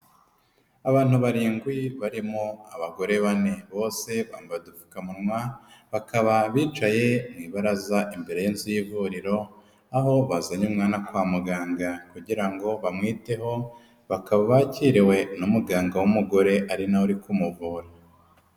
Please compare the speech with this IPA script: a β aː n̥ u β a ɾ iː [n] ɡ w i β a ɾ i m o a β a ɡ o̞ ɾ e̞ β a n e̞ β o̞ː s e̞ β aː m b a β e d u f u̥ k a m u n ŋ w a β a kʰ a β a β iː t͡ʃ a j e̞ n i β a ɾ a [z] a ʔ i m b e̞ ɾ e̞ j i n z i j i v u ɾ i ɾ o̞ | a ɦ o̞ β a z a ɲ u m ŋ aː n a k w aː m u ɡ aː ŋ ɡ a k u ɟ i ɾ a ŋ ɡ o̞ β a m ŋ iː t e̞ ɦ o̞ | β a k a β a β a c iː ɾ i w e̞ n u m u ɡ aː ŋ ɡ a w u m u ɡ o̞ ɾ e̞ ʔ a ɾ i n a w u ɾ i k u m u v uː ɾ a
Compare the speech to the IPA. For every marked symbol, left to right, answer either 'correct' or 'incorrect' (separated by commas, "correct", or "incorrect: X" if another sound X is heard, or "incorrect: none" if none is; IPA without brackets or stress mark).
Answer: incorrect: ŋ, correct